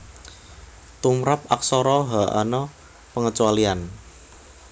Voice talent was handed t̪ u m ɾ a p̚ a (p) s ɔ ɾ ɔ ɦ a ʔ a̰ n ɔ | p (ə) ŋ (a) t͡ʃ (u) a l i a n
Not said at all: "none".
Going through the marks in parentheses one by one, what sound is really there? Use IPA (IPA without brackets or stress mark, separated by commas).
k, ə, ə, u